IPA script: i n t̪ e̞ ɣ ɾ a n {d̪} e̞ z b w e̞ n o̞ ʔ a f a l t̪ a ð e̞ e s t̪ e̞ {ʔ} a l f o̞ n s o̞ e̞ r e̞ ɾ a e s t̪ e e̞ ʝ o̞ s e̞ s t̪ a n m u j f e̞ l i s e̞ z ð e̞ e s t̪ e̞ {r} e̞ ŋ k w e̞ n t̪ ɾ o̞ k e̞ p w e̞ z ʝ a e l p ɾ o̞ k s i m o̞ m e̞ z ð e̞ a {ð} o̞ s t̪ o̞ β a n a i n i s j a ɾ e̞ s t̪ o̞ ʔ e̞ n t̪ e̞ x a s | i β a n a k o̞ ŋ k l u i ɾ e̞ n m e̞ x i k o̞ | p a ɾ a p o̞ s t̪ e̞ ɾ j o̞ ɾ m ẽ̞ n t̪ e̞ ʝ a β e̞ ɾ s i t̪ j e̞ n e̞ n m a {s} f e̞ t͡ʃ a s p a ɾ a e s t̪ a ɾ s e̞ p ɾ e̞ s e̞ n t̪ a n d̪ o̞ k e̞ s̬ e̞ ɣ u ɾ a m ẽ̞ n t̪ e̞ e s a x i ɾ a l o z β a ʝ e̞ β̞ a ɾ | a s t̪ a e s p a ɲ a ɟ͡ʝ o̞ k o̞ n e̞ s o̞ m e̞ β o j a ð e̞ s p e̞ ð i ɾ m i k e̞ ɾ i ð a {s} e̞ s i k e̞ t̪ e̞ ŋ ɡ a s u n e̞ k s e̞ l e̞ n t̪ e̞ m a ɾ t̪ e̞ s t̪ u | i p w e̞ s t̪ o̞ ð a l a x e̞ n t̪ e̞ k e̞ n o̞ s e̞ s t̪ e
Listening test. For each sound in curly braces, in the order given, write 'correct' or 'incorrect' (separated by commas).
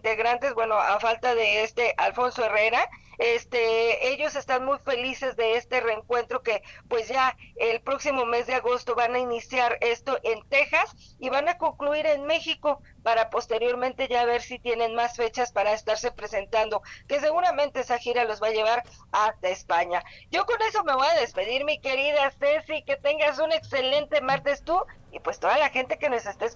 incorrect, correct, correct, incorrect, correct, correct